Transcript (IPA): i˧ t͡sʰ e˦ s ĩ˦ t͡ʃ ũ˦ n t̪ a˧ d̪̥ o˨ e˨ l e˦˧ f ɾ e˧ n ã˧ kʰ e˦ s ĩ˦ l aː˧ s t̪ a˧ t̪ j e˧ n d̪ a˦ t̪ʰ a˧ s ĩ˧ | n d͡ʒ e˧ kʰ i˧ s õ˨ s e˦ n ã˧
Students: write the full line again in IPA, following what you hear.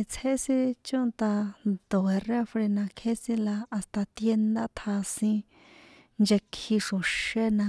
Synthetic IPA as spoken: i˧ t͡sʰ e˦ s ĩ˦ t͡ʃ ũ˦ n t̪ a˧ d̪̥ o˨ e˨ r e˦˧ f ɾ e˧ n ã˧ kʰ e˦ s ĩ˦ l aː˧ s t̪ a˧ t̪ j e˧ n d̪ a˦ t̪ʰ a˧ s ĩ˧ | n d͡ʒ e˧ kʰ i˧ ʂ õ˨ ʃ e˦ n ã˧